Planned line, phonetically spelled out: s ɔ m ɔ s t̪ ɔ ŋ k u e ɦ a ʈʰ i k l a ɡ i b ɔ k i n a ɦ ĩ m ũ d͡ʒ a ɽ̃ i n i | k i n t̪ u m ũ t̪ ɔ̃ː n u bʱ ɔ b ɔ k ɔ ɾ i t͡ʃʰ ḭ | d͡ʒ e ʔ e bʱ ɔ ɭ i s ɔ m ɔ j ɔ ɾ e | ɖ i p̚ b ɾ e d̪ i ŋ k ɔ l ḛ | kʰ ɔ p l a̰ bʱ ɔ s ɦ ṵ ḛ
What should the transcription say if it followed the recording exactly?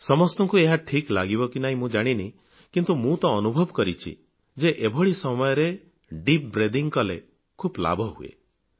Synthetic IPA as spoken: s ɔ m ɔ s t̪ ɔ ŋ k u e ɦ a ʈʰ i k l a ɡ i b ɔ k i n a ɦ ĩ m ũ d͡ʒ a ɽ̃ i n i | k i n t̪ u m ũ t̪ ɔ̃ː n u bʱ ɔ b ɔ k ɔ ɾ i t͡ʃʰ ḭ | d͡ʒ e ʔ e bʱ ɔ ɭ i s ɔ m ɔ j ɔ ɾ e | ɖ i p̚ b ɾ e d̪ i ŋ k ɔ l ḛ | kʰ u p l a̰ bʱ ɔ ɦ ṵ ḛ